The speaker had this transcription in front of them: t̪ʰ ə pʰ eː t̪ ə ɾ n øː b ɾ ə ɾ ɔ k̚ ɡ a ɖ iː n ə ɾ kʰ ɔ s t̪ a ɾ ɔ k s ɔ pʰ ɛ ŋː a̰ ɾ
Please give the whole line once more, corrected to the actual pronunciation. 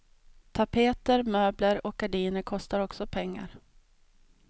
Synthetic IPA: t̪ʰ a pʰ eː t̪ ə ɾ m øː b l ə ɾ ɔ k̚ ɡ a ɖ iː n ə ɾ kʰ ɔ s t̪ a ɾ ɔ k s ɔ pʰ ɛ ŋː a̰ ɾ